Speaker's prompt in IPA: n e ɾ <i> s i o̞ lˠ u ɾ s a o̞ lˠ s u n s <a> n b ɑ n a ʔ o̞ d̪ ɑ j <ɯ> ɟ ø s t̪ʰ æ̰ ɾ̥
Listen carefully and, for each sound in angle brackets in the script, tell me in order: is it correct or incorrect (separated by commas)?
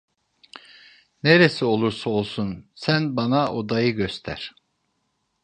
incorrect, incorrect, correct